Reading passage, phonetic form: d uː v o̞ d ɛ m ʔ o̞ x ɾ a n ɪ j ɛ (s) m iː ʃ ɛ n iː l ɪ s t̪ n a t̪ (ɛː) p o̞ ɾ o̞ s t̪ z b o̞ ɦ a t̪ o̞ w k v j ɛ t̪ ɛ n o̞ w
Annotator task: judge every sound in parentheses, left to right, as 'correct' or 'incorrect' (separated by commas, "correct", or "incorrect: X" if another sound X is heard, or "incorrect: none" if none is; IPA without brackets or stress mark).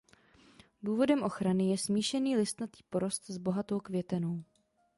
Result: correct, incorrect: iː